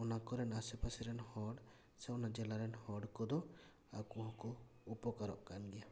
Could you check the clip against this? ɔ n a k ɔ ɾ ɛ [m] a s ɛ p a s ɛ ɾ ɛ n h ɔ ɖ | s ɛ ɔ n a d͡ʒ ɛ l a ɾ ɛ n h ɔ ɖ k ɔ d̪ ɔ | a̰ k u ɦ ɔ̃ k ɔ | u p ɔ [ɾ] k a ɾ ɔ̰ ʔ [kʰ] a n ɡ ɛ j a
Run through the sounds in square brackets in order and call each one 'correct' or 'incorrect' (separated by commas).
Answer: incorrect, incorrect, incorrect